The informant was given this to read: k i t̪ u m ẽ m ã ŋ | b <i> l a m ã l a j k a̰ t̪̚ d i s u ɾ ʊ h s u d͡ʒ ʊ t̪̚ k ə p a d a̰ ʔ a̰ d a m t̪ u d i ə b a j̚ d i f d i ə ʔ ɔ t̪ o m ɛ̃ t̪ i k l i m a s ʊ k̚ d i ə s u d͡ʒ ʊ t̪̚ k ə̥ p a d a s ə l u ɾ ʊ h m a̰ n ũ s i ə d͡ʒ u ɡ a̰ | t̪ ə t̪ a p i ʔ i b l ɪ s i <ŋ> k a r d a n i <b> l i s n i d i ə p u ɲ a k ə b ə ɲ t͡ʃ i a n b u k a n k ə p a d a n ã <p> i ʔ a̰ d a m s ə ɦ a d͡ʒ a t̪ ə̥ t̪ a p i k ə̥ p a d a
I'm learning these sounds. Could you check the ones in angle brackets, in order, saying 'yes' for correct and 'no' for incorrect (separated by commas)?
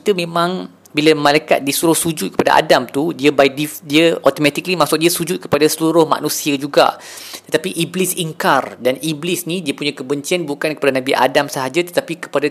yes, yes, yes, no